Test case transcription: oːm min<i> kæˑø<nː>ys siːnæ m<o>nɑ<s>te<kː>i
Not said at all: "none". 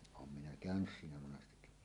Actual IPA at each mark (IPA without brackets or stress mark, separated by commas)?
æ, n, o, s, kː